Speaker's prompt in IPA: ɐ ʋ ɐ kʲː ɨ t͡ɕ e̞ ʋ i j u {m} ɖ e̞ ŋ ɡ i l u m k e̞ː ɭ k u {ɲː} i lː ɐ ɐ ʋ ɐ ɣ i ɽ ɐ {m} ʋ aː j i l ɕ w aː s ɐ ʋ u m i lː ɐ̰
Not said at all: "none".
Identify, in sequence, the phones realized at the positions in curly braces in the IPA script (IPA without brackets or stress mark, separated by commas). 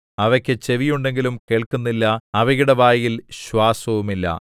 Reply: ɳ, nː, none